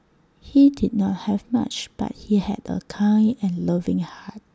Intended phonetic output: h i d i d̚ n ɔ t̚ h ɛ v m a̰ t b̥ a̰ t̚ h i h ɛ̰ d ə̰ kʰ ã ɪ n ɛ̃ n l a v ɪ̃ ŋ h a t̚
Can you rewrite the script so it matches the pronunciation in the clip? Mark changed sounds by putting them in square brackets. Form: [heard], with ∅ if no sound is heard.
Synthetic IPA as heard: h i d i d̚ n ɔ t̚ h ɛ v m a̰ [t͡ʃ] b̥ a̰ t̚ h i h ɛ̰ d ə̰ kʰ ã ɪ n ɛ̃ n l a v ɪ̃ ŋ h a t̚